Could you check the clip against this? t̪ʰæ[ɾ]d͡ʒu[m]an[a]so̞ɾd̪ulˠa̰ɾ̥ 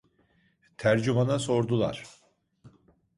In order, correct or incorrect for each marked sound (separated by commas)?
correct, correct, correct